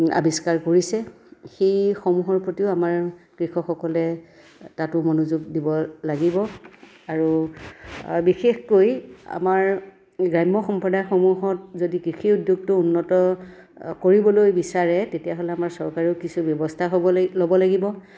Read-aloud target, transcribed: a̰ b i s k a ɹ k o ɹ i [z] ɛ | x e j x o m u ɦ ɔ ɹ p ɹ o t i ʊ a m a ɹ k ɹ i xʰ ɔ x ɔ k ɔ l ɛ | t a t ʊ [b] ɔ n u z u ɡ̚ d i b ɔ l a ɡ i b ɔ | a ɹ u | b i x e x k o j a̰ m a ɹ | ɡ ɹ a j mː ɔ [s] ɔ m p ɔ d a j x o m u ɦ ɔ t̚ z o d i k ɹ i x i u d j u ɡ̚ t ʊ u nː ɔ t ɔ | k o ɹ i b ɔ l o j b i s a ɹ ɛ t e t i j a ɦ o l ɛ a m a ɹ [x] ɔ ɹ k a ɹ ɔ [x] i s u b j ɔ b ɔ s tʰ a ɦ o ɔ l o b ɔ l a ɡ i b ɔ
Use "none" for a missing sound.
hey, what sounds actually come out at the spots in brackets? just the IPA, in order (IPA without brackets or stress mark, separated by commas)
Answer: s, m, x, s, k